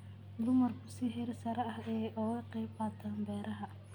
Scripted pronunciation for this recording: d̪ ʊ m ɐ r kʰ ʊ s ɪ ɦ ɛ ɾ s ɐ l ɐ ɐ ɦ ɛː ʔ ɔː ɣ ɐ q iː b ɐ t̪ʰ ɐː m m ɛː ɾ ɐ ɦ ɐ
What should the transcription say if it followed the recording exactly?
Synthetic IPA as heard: d̪ ʊ m ɐ r kʰ ʊ s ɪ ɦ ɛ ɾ s ɐ ɾ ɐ ɐ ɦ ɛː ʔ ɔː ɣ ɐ q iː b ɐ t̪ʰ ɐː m b ɛː ɾ ɐ ɦ ɐ